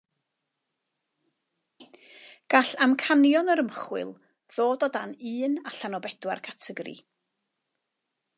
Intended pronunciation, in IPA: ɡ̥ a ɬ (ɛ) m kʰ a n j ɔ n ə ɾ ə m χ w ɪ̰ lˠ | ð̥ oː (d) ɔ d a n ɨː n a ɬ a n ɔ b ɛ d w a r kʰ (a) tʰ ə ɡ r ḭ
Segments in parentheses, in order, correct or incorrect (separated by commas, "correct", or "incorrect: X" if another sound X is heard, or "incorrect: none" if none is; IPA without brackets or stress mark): incorrect: a, correct, correct